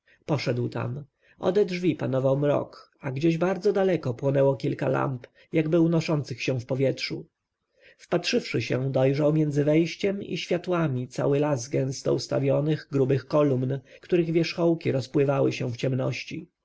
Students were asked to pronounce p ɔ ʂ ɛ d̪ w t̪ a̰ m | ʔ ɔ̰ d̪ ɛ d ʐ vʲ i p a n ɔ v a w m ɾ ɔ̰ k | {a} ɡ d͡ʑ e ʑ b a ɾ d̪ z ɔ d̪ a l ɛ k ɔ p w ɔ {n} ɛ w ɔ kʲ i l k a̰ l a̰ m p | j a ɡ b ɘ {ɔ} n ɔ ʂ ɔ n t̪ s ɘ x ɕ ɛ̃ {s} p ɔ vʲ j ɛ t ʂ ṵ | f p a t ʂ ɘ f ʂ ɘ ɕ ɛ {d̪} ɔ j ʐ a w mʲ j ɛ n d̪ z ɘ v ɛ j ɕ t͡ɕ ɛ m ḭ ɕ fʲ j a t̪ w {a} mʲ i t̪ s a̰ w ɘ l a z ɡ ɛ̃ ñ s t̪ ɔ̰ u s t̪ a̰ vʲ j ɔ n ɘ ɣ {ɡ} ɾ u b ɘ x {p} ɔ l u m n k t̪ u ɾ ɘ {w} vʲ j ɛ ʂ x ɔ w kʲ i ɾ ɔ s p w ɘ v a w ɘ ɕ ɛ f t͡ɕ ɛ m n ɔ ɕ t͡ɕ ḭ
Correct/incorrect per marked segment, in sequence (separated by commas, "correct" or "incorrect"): correct, correct, incorrect, incorrect, correct, correct, correct, incorrect, incorrect